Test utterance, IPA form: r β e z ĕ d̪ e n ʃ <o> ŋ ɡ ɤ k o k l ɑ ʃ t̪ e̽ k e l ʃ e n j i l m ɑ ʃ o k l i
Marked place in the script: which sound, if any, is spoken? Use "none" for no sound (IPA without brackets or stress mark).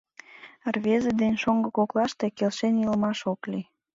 o